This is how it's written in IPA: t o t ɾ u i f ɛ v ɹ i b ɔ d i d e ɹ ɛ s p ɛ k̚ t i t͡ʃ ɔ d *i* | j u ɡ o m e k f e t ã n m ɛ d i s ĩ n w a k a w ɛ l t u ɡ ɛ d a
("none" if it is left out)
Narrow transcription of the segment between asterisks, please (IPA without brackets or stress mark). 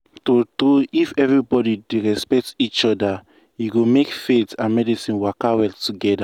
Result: a